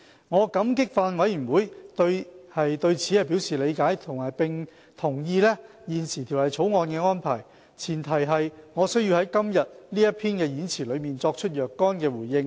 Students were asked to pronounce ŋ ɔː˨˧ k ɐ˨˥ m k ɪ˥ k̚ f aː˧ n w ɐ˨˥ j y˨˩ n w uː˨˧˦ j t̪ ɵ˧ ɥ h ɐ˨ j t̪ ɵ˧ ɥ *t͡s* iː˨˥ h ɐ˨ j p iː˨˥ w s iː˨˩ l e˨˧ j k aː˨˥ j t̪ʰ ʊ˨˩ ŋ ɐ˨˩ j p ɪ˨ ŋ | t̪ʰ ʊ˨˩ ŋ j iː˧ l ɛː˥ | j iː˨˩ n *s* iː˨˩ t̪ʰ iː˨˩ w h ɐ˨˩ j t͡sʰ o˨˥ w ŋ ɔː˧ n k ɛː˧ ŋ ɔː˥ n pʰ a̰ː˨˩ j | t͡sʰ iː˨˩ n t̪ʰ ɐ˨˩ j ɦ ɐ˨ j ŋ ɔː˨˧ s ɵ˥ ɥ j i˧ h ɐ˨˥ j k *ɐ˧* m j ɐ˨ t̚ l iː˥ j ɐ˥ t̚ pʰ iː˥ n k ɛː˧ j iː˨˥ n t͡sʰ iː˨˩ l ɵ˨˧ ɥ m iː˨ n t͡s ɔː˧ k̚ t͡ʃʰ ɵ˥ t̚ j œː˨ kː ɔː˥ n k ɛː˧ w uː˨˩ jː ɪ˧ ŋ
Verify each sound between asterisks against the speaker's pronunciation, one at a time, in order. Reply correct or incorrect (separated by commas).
incorrect, correct, incorrect